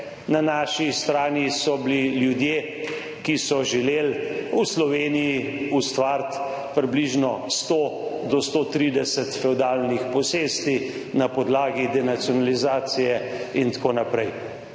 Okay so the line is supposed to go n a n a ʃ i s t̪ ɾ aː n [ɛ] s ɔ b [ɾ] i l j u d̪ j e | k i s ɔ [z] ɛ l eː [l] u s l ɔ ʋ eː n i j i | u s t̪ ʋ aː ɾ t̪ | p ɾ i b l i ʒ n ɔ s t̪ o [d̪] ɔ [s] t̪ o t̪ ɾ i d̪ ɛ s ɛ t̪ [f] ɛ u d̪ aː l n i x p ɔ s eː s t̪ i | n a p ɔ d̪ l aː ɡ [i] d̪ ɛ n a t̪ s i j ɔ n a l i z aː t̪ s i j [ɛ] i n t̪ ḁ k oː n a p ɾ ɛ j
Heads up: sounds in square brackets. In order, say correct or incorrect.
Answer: incorrect: i, incorrect: l, incorrect: ʒ, correct, correct, correct, correct, correct, correct

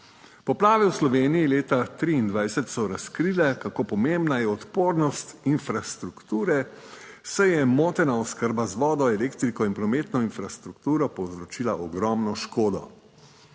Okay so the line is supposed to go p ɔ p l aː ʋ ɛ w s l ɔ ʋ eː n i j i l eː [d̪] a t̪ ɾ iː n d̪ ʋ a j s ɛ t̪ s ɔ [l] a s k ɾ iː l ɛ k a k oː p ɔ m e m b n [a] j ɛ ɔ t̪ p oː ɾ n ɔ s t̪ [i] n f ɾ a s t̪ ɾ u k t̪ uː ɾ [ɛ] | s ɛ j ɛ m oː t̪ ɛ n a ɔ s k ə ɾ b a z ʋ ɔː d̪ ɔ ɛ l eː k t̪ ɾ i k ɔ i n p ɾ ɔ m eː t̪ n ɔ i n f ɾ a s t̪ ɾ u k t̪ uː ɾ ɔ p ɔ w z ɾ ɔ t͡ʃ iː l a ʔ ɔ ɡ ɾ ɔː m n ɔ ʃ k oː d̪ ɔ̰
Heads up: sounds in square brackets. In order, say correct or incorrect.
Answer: incorrect: t̪, incorrect: ɾ, correct, correct, correct

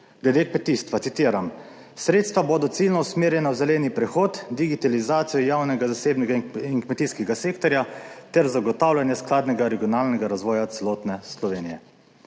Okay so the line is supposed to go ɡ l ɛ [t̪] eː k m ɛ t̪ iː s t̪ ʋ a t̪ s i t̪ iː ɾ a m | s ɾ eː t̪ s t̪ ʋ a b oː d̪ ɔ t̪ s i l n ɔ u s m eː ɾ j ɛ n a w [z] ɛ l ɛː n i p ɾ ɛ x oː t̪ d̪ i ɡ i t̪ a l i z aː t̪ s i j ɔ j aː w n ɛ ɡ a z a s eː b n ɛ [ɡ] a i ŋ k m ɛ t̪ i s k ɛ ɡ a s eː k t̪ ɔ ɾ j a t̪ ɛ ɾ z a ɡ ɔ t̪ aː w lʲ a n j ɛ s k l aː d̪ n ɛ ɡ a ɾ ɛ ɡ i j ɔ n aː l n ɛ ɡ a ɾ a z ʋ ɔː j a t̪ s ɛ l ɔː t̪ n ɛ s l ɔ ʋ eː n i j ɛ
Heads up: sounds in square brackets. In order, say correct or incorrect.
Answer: incorrect: d̪, correct, correct

